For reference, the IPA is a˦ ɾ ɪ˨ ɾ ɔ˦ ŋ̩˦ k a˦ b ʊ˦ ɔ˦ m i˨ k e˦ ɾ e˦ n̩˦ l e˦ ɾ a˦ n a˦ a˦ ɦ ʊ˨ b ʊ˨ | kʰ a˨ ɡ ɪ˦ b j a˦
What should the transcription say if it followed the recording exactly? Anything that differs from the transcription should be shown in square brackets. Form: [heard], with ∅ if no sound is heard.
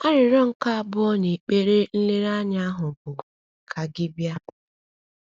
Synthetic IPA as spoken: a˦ ɾ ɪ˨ ɾ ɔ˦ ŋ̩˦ k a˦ b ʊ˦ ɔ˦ [n] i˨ [k͡p] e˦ ɾ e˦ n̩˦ l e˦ ɾ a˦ [ɲ] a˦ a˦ ɦ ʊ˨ b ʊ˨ | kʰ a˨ ɡ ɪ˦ b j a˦